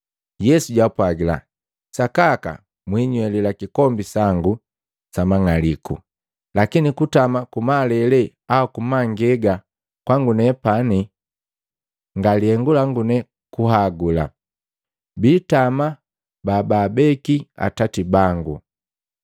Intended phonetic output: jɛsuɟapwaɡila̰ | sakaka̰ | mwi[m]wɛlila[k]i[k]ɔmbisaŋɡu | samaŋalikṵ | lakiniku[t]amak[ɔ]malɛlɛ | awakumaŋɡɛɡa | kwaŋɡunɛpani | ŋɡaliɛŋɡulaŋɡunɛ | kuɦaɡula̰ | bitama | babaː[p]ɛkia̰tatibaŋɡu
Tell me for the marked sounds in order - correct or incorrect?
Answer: incorrect, correct, correct, correct, incorrect, incorrect

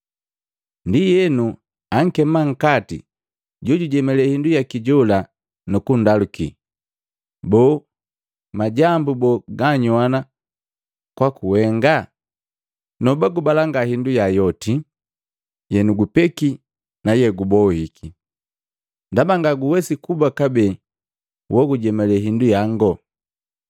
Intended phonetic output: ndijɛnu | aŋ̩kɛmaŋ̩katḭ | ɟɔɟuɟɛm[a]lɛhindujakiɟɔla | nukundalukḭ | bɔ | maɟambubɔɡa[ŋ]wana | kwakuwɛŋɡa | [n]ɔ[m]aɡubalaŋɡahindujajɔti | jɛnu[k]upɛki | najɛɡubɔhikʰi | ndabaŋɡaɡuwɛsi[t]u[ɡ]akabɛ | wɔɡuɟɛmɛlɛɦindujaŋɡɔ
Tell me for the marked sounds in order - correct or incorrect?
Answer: incorrect, incorrect, correct, incorrect, incorrect, incorrect, incorrect

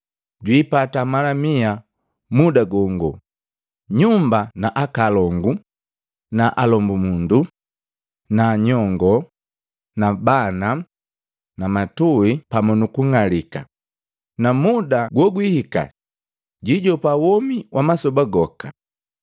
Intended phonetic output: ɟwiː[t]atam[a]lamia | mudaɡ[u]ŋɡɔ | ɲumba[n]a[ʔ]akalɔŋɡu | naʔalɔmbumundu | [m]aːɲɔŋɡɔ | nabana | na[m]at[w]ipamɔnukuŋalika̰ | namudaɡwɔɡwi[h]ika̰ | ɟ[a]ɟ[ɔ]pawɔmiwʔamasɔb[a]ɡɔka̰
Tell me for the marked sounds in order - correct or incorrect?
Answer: incorrect, correct, incorrect, correct, correct, incorrect, correct, incorrect, correct, incorrect, correct, correct

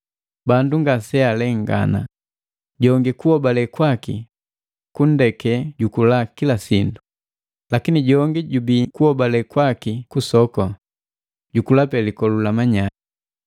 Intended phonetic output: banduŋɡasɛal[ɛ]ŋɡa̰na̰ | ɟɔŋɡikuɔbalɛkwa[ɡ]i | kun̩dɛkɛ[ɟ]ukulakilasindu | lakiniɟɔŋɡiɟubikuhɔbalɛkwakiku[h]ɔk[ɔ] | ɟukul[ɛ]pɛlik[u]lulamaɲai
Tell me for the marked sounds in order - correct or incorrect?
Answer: correct, incorrect, correct, incorrect, correct, incorrect, incorrect

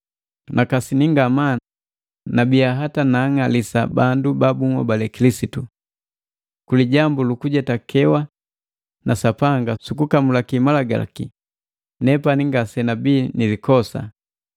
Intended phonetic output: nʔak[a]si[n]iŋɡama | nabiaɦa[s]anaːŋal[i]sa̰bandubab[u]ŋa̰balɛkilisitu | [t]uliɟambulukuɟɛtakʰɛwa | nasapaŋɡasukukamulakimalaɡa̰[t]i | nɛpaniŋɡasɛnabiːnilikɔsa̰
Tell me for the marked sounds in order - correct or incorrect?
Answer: correct, correct, incorrect, correct, correct, incorrect, incorrect

